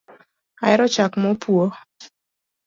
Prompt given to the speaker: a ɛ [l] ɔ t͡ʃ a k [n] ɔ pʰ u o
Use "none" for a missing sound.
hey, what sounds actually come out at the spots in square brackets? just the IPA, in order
ɾ, m

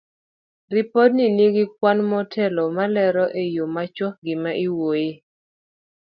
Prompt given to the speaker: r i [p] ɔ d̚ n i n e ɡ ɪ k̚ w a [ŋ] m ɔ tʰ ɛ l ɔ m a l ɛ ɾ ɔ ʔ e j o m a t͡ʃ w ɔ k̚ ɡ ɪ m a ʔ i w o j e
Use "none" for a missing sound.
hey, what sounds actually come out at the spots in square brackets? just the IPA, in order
p, n

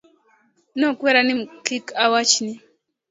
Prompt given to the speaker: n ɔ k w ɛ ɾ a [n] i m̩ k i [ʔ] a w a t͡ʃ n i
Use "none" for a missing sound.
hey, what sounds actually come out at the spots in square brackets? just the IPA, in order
n, k

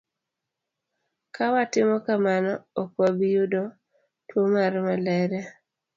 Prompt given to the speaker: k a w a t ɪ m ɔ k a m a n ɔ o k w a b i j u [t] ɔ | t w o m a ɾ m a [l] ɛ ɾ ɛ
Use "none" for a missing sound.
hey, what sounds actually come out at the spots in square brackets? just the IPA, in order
d, l

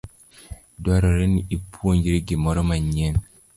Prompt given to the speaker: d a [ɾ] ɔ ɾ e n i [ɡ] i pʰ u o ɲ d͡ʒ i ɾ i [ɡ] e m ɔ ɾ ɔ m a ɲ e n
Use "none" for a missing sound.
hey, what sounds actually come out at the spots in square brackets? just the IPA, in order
ɾ, none, ɡ

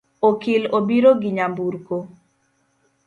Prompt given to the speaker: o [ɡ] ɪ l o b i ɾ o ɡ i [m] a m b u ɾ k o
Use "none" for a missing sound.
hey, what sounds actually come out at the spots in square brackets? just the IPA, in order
k, ɲ

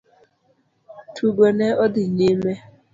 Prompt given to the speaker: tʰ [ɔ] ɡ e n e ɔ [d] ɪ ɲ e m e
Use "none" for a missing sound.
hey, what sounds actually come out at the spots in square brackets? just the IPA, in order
u, d

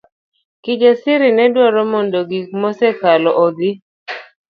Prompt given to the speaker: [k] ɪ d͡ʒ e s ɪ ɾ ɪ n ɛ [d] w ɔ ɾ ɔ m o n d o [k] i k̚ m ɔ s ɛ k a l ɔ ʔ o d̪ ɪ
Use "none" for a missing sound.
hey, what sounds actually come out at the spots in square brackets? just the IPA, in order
k, d, ɡ

